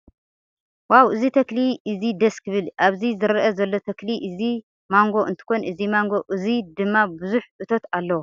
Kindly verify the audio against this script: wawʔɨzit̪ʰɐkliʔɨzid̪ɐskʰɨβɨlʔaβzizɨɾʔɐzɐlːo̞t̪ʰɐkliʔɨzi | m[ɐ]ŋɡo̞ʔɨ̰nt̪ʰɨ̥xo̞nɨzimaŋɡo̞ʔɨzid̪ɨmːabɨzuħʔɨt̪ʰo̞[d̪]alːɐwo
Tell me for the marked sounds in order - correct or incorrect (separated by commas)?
incorrect, incorrect